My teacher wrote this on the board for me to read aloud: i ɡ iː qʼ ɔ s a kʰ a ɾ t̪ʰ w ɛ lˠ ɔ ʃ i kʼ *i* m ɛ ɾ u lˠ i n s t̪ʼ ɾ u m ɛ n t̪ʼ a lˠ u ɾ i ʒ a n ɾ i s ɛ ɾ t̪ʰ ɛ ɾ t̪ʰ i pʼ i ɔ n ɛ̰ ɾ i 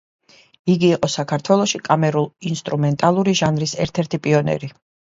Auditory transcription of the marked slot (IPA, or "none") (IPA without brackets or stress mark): a